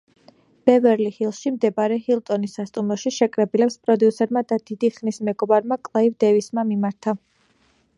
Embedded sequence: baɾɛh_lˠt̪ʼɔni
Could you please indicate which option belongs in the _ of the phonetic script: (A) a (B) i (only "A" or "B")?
B